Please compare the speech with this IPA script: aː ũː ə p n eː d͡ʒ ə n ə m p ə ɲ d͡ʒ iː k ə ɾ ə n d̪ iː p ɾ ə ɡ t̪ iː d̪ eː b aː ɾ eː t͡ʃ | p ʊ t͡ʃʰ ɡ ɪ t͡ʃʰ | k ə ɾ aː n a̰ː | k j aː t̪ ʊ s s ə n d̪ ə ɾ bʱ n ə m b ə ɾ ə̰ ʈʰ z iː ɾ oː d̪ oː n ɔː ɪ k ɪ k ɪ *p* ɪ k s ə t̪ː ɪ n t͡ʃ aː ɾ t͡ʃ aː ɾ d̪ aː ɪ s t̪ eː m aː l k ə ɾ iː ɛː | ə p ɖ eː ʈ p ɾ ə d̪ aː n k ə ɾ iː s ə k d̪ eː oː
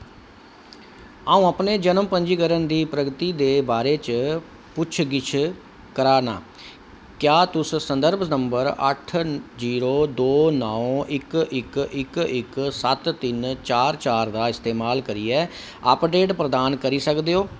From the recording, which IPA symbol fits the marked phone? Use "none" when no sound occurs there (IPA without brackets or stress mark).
k